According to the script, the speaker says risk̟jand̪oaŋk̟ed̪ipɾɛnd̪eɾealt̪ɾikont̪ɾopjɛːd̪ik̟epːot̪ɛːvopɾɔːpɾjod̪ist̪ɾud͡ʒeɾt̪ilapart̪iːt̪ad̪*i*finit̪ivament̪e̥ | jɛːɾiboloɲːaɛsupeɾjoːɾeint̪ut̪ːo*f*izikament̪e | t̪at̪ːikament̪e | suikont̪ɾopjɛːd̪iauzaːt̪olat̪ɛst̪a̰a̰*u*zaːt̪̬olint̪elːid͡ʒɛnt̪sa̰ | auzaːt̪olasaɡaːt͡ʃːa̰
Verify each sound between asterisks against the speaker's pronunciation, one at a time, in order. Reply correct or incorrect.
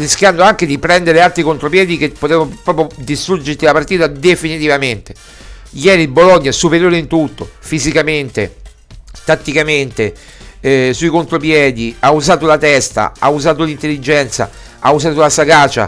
incorrect, correct, correct

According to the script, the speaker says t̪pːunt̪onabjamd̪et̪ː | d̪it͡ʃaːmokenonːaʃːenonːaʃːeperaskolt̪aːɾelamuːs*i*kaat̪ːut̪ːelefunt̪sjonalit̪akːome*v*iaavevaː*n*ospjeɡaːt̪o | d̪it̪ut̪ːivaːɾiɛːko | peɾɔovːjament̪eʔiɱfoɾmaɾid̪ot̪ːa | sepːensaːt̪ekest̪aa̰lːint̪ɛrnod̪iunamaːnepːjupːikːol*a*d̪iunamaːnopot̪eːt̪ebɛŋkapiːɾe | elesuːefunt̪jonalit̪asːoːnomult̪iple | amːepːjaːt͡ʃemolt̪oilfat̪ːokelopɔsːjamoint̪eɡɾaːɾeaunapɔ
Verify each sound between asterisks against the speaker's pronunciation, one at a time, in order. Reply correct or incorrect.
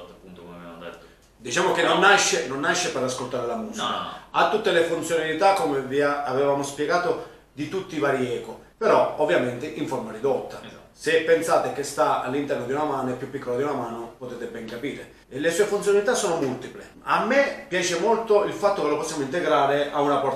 correct, correct, incorrect, correct

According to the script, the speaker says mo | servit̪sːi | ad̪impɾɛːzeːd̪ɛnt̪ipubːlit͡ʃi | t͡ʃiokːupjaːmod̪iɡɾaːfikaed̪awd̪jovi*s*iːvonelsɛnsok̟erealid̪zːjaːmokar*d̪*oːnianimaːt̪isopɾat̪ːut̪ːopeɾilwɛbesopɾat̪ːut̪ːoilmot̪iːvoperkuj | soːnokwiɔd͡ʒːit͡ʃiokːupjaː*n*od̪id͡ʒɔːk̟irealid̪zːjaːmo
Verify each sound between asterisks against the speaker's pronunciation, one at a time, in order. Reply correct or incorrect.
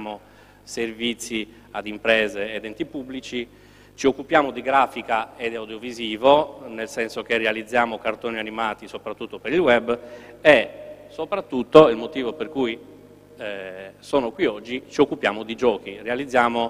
incorrect, incorrect, incorrect

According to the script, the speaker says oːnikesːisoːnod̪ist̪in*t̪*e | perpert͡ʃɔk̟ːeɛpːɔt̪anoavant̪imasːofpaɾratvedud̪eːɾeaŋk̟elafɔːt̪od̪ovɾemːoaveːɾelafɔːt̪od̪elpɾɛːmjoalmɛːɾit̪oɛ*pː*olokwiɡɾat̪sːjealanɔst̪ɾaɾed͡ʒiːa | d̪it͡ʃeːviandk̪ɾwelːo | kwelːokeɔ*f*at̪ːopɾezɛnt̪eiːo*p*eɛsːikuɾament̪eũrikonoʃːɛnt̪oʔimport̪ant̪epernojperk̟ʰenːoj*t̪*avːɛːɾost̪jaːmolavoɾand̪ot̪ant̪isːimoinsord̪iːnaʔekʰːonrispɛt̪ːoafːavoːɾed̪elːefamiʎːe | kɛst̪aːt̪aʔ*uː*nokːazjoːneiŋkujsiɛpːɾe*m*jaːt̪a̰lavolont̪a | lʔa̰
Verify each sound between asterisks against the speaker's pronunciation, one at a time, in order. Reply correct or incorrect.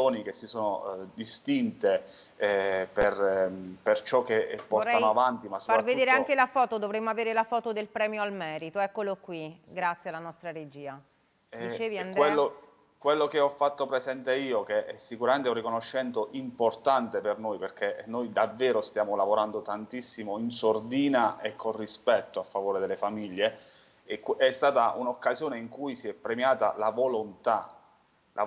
correct, incorrect, incorrect, incorrect, incorrect, incorrect, correct

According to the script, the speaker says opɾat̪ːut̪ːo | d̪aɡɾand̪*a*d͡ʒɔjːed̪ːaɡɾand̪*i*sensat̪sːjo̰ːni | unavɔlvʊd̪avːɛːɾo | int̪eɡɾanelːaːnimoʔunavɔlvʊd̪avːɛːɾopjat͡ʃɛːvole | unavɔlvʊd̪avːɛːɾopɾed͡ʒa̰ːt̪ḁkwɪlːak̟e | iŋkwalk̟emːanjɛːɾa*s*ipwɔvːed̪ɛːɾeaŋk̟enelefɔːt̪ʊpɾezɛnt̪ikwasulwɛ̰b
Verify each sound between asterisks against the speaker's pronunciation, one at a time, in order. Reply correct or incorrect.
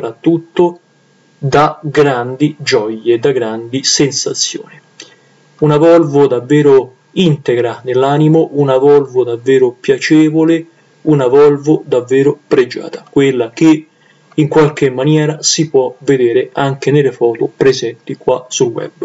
incorrect, correct, correct

